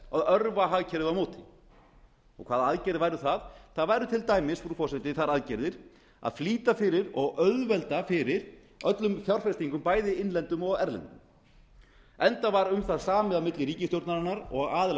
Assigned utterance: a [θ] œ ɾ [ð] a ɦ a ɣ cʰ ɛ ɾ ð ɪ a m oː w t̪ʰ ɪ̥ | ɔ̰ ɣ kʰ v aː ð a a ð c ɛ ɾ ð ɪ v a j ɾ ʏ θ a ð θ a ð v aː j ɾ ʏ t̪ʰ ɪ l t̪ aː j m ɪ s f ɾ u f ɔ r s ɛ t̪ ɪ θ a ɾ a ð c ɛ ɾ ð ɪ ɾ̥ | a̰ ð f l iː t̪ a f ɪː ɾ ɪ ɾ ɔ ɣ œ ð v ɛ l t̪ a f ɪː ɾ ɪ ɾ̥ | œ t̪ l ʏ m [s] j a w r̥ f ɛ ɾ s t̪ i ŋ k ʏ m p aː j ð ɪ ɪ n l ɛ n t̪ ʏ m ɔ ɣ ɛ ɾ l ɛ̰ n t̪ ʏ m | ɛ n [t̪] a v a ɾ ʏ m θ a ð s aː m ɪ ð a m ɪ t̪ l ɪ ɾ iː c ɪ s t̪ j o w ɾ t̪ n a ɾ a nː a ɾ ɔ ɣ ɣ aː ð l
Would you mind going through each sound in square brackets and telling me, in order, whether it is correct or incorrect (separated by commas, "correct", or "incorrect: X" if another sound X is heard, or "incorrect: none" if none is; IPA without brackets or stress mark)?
incorrect: ð, incorrect: v, incorrect: f, correct